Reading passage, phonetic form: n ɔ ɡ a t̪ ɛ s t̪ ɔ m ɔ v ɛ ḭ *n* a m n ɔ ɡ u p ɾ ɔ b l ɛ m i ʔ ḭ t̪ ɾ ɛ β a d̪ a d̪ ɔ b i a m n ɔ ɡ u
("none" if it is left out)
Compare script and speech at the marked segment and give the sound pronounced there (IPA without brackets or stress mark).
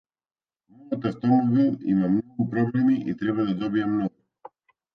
m